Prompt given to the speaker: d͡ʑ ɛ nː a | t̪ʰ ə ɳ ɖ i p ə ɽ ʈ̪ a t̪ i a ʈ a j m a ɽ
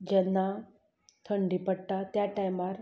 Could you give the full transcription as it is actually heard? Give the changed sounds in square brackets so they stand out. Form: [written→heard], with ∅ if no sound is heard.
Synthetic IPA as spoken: d͡ʑ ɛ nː a | t̪ʰ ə ɳ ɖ i p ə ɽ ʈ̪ a t̪ [i→j] a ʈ a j m a [ɽ→ɾ]